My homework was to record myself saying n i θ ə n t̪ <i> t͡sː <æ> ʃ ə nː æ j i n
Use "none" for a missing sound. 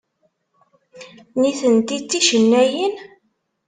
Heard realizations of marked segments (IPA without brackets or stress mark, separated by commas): i, i